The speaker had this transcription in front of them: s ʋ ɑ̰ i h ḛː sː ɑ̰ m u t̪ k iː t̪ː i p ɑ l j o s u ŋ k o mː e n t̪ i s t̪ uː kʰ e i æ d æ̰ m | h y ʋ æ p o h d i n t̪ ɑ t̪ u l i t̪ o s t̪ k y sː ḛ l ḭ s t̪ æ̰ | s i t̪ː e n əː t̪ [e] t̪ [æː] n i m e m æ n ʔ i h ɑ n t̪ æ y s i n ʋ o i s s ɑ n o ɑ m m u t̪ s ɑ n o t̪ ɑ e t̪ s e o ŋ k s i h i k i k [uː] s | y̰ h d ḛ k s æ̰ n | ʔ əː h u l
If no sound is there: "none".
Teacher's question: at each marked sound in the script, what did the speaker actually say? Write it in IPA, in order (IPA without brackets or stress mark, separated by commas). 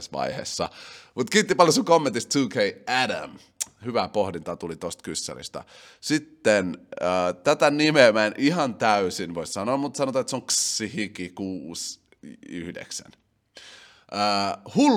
æ, æ, uː